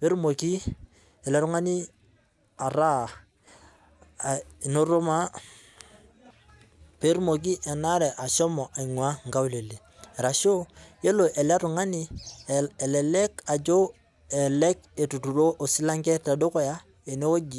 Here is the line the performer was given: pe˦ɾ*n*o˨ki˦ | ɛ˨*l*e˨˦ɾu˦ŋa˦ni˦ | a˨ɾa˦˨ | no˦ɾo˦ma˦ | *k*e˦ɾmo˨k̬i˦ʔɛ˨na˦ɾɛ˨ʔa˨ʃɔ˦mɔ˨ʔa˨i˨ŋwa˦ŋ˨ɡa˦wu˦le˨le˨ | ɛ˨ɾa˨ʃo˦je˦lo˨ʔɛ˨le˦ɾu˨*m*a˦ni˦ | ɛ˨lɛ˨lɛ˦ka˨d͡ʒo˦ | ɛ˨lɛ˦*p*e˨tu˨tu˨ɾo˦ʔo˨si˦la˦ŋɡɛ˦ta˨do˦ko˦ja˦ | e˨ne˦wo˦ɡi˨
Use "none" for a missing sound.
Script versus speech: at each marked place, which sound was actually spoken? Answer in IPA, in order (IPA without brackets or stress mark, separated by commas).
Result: m, l, p, ŋ, k